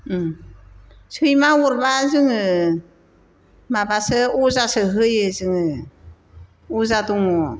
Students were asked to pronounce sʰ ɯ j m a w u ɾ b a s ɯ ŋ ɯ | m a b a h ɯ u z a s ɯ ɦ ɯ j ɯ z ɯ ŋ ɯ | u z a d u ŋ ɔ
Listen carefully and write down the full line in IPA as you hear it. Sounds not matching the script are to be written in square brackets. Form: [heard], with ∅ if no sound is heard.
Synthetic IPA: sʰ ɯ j m a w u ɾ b a [z] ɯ ŋ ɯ | m a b a [s] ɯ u z a s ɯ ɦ ɯ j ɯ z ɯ ŋ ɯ | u z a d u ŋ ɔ